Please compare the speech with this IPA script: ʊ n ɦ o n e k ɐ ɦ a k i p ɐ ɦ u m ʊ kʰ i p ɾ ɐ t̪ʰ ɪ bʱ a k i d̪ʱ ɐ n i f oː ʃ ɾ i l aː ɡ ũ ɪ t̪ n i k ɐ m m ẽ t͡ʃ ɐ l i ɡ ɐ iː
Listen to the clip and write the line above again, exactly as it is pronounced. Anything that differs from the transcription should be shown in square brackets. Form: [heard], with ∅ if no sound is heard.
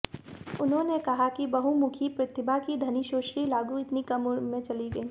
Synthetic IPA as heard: ʊ n ɦ [õ] n e k ɐ ɦ a k i [b] ɐ ɦ u m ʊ kʰ i p ɾ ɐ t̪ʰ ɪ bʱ a k i d̪ʱ ɐ n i [ʃ] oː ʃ ɾ i l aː ɡ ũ ɪ t̪ n i k ɐ m m ẽ t͡ʃ ɐ l i ɡ ɐ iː